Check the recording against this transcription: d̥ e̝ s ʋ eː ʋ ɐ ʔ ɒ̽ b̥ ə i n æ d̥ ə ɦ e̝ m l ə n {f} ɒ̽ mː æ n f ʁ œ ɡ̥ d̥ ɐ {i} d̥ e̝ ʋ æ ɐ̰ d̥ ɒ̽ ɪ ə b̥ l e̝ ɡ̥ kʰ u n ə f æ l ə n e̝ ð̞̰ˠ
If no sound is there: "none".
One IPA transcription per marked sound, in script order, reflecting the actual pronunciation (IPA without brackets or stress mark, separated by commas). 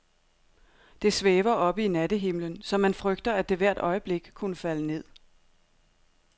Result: s, æ